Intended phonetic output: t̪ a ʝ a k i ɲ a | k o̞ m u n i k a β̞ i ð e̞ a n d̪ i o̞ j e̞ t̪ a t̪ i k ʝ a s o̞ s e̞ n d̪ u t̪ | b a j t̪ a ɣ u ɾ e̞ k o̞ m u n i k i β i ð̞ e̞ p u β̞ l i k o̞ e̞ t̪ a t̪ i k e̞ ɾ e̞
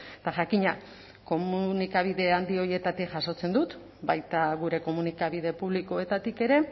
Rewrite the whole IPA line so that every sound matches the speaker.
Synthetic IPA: t̪ a ʝ a k i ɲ a | k o̞ m u n i k a β̞ i ð e̞ a n d̪ i o̞ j e̞ t̪ a t̪ i k ʝ a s o̞ t͡s e̞ n d̪ u t̪ | b a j t̪ a ɣ u ɾ e̞ k o̞ m u n i k a β i ð̞ e̞ p u β̞ l i k o̞ e̞ t̪ a t̪ i k e̞ ɾ e̞